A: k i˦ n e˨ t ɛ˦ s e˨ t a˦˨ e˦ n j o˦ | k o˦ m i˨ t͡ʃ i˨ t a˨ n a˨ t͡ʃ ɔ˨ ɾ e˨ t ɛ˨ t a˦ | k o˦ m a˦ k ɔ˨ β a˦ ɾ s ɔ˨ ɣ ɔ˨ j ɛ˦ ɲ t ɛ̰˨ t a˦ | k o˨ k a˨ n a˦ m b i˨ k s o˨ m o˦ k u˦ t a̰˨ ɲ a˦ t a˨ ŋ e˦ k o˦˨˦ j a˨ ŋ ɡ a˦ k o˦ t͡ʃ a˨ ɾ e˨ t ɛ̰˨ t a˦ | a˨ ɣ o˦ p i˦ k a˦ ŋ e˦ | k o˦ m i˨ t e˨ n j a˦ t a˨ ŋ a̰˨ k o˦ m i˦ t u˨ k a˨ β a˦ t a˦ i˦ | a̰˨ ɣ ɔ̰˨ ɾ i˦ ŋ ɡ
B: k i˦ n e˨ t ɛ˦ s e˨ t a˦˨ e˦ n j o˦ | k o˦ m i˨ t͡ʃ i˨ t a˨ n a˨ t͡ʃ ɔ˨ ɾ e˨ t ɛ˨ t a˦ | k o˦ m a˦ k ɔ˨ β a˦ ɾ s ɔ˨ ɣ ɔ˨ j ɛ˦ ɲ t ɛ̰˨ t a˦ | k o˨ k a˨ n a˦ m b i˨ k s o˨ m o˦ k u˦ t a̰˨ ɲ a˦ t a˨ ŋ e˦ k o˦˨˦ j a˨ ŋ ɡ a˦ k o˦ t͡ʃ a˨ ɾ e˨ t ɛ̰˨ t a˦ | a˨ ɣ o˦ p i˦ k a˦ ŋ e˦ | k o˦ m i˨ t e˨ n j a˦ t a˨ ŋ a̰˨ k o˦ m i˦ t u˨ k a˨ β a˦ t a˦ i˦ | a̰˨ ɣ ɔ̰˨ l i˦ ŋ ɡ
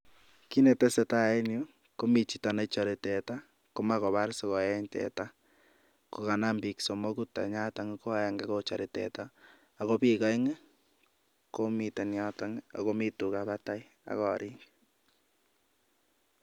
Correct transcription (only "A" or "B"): A